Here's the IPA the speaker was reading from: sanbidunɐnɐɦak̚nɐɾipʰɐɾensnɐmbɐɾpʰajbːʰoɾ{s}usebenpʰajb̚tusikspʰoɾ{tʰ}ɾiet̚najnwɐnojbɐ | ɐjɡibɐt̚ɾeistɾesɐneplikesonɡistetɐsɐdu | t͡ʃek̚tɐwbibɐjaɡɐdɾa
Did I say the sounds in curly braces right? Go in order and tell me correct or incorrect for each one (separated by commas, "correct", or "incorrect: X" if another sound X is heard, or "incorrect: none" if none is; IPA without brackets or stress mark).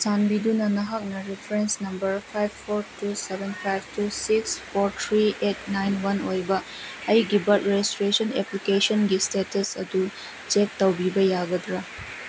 incorrect: t, correct